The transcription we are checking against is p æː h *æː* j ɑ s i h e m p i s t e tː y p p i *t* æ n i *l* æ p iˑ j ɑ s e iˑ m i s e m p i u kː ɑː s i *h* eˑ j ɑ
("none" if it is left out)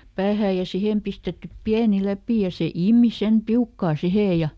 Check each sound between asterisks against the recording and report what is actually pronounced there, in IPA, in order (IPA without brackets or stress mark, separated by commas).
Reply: æː, none, l, h